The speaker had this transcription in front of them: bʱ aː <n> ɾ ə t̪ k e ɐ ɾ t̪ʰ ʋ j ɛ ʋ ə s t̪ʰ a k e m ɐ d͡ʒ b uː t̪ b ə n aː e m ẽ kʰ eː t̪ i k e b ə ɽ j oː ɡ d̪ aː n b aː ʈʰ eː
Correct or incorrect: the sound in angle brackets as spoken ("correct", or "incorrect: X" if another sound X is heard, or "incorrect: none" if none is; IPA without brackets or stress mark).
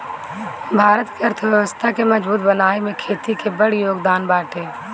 incorrect: none